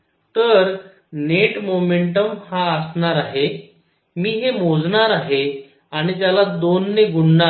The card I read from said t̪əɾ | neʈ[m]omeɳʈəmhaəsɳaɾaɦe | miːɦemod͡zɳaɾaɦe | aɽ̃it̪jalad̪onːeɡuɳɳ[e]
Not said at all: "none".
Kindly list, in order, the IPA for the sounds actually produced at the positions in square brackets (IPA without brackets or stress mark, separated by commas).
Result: m, a